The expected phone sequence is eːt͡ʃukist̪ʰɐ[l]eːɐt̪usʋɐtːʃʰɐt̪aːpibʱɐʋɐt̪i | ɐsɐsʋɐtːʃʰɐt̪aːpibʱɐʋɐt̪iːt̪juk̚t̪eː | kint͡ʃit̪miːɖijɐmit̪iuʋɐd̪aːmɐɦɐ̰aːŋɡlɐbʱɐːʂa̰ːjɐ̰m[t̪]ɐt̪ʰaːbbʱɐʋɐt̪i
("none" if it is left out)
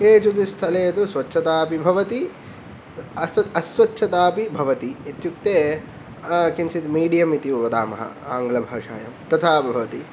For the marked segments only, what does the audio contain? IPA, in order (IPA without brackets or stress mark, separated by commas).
l, t̪